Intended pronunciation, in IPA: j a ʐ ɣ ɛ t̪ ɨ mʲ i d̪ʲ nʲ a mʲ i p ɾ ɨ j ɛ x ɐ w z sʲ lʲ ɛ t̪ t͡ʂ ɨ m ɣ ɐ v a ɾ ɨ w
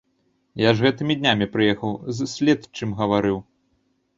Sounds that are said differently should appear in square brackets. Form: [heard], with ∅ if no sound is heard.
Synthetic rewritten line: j a ʐ ɣ ɛ t̪ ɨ mʲ i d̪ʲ nʲ a mʲ i p ɾ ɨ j ɛ x ɐ w z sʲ lʲ ɛ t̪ t͡ʂ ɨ m ɣ ɐ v a ɾ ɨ w